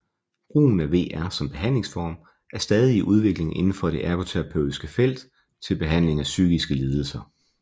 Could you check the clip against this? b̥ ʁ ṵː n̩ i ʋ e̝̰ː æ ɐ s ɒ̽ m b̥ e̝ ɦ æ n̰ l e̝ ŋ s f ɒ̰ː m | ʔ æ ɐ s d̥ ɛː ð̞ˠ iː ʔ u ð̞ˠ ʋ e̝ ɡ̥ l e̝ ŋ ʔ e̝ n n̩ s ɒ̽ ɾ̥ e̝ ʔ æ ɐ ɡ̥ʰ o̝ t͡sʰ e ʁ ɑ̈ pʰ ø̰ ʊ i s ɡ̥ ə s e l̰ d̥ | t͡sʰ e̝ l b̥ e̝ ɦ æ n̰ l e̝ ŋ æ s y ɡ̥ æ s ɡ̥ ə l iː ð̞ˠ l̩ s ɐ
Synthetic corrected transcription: b̥ ʁ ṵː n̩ æ ʋ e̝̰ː æ ɐ s ɒ̽ m b̥ e̝ ɦ æ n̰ l e̝ ŋ s f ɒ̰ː m | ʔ æ ɐ s d̥ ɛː ð̞ˠ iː ʔ u ð̞ˠ ʋ e̝ ɡ̥ l e̝ ŋ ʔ e̝ n n̩ f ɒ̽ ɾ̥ e̝ ʔ æ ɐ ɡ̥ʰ o̝ t͡sʰ e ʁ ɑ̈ pʰ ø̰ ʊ i s ɡ̥ ə f e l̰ d̥ | t͡sʰ e̝ l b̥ e̝ ɦ æ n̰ l e̝ ŋ æ s y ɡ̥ i s ɡ̥ ə l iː ð̞ˠ l̩ s ɐ